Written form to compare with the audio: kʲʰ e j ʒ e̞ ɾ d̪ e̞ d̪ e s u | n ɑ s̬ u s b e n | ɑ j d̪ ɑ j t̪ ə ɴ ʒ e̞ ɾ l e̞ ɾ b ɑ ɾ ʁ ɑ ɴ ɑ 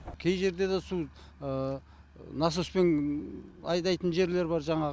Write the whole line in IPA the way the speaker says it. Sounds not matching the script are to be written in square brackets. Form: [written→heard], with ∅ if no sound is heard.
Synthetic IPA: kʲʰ e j ʒ e̞ ɾ d̪ e̞ d̪ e s u | n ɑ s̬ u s [b→p] e n | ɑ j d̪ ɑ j t̪ ə [ɴ→n] ʒ e̞ ɾ l e̞ ɾ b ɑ ɾ [ʁ→ʒ] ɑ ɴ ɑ